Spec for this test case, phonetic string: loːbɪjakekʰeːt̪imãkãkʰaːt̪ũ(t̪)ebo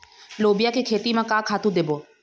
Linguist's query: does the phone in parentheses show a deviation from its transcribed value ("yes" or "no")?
yes